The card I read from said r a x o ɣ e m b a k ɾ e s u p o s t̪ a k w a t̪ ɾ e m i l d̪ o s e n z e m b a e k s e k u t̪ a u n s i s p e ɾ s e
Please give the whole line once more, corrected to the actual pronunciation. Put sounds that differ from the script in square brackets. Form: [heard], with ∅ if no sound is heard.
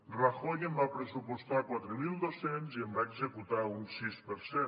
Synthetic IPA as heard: r a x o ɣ e m b a [p] ɾ e s u p o s t̪ a k w a t̪ ɾ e m i l d̪ o s e n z e m b a e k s e k u t̪ a u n s i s p e ɾ s e